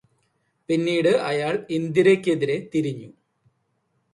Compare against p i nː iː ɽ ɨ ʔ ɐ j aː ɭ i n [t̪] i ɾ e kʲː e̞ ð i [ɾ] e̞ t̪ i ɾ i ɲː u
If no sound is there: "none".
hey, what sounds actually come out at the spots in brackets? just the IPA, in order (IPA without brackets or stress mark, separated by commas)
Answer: d̪, ɾ